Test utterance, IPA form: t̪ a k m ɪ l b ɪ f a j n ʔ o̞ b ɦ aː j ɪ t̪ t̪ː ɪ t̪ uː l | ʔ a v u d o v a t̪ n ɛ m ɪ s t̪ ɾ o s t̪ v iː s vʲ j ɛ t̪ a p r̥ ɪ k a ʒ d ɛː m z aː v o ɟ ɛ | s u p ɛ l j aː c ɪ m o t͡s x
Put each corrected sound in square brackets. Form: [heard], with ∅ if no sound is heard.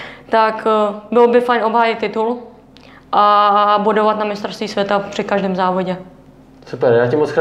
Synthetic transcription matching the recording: t̪ a k [b] ɪ l b ɪ f a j n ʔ o̞ b ɦ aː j ɪ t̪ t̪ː ɪ t̪ [u] l | ʔ a [b] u d o v a t̪ n [a] m ɪ s t̪ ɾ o s t̪ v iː s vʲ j ɛ t̪ a p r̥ ɪ k a ʒ d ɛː m z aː v o ɟ ɛ | s u p ɛ [ɾ] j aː c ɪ m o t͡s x